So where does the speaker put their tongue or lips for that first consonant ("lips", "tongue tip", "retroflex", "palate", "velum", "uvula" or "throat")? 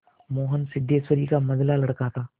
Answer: lips